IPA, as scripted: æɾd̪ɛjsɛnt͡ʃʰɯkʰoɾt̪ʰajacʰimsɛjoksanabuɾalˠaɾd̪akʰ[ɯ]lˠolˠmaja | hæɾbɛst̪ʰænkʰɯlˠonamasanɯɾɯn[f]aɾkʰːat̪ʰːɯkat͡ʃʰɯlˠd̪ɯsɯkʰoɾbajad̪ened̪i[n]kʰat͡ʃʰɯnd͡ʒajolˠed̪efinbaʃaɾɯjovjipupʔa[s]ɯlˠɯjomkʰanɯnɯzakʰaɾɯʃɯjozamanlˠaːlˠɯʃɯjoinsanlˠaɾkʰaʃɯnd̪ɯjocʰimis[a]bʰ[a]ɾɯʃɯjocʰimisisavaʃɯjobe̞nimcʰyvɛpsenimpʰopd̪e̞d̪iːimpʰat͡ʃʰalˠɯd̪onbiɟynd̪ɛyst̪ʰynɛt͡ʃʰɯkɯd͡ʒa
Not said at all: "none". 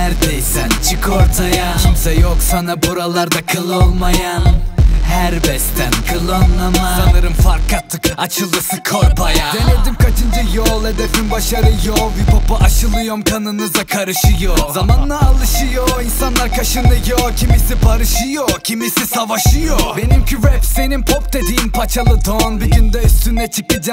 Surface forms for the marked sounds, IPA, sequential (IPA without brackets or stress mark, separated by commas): ɯ, f, m, ʃ, i, a